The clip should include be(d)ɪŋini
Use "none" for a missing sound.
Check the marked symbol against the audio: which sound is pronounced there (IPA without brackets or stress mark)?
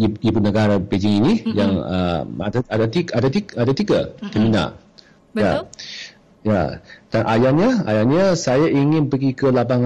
d͡ʒ